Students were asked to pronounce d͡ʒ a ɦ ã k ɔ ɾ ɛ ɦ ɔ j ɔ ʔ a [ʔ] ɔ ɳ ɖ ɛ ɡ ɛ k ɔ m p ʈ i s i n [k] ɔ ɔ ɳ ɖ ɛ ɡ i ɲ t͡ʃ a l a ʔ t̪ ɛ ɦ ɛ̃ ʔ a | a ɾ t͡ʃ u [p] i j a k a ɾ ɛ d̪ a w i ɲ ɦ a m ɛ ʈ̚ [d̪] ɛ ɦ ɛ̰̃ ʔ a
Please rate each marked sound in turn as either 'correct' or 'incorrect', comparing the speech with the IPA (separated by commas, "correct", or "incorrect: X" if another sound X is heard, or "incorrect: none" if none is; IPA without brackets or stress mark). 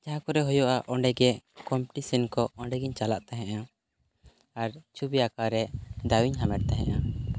correct, correct, incorrect: b, incorrect: t̪